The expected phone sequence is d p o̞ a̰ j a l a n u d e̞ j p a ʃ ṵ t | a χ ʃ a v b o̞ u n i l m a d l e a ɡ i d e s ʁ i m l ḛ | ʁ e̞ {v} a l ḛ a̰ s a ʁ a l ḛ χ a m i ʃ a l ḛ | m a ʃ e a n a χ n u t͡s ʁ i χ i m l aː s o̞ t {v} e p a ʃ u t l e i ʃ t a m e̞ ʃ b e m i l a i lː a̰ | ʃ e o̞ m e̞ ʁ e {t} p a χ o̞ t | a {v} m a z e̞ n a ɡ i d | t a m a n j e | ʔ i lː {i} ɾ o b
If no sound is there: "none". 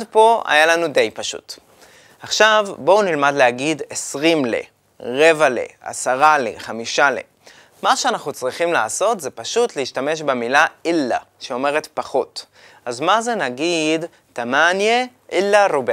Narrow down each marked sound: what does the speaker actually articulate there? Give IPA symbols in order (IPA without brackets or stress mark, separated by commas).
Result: v, z, t, z, a